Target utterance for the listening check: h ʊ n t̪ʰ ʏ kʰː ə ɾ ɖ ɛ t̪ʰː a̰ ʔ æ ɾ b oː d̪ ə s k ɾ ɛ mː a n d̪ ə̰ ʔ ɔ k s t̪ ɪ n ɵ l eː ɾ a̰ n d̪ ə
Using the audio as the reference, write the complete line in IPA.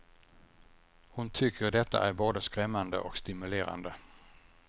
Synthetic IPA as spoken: h ʊ n t̪ʰ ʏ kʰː ə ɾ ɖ ɛ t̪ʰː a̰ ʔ æ ɾ b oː d̪ ə s k ɾ ɛ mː a n d̪ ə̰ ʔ ɔ k s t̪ ɪ m ɵ l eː ɾ a̰ n d̪ ə